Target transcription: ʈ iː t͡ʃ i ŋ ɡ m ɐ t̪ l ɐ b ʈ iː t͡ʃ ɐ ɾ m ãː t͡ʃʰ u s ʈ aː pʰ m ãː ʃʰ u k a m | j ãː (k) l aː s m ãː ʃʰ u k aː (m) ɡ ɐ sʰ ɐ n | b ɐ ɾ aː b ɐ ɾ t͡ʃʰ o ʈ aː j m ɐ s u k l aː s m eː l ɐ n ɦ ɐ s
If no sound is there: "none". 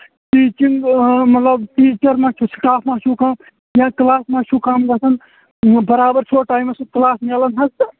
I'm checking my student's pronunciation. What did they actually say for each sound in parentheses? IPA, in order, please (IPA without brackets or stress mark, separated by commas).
k, m